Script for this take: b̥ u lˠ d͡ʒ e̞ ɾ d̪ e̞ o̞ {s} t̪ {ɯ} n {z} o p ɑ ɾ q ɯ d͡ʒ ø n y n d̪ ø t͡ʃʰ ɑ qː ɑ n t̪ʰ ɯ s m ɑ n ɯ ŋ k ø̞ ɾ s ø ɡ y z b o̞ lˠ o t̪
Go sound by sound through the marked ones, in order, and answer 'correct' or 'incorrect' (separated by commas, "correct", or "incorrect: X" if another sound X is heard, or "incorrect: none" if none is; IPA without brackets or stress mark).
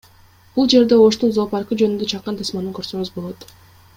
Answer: incorrect: ʃ, incorrect: u, correct